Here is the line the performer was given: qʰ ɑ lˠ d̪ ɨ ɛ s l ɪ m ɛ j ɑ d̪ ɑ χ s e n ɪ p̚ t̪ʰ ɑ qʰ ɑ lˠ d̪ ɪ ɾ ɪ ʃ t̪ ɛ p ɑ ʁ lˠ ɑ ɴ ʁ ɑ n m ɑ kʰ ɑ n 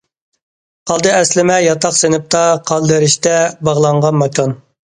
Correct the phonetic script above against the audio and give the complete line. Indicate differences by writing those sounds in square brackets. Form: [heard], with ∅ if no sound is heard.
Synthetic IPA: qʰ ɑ lˠ d̪ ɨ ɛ s l ɪ m ɛ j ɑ [t̪] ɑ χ s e n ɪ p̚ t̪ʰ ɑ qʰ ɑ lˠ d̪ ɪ ɾ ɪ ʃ t̪ ɛ [b] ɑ ʁ lˠ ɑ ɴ ʁ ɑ n m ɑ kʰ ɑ n